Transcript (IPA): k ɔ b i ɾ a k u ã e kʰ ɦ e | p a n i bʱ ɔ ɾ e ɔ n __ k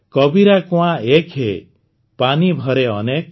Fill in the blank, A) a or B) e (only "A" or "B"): B